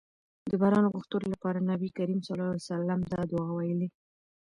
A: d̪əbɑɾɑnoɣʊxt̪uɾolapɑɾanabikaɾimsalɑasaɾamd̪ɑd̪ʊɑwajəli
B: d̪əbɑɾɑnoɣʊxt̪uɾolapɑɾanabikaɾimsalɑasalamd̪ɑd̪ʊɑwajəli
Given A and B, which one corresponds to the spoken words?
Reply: B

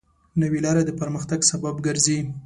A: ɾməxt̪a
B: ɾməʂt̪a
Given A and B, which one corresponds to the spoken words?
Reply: A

